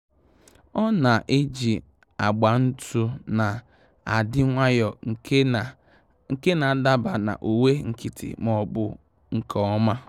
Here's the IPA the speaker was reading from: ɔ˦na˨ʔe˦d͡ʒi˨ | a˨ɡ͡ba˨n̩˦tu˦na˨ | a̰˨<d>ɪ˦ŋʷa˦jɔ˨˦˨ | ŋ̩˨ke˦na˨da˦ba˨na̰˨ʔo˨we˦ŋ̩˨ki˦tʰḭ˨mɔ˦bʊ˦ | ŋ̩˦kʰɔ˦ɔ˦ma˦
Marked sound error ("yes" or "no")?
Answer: no